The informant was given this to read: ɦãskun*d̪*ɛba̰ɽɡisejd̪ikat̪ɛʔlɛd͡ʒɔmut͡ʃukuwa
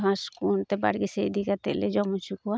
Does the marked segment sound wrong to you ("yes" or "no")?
yes